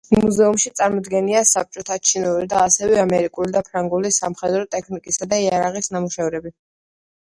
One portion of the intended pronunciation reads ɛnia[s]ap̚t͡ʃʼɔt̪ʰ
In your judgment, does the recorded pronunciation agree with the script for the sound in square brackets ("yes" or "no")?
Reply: yes